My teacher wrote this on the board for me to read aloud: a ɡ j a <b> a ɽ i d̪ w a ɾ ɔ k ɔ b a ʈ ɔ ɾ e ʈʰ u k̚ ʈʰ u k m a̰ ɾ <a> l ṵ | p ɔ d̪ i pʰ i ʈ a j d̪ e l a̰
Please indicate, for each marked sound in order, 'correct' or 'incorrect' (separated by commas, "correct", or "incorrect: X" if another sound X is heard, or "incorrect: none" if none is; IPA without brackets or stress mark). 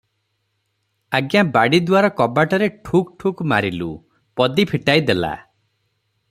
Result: correct, incorrect: i